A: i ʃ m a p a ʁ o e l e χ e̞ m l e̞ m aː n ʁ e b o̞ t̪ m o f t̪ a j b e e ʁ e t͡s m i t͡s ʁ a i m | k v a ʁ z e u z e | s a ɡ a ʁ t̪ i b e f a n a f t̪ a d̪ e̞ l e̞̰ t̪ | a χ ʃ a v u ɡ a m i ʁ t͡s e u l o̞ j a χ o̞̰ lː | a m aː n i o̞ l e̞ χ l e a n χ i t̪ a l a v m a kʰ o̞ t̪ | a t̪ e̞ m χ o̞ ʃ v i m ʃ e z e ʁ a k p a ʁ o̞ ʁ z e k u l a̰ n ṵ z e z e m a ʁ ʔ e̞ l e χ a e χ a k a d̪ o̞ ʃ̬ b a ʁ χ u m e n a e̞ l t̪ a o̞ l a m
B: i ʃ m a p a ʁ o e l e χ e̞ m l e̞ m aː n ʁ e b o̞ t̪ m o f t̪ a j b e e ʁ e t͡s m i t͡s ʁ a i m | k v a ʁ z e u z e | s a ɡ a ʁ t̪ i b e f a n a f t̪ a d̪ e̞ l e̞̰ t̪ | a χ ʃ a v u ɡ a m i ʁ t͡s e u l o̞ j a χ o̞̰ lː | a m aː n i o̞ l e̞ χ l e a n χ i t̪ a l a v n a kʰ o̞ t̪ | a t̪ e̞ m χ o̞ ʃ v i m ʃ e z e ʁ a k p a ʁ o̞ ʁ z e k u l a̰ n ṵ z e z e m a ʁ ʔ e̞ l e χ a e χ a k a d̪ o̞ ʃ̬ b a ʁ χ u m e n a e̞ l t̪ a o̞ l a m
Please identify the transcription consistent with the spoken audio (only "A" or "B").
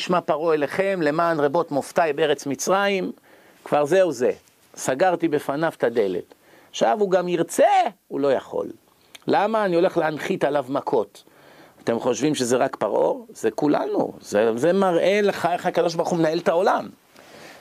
A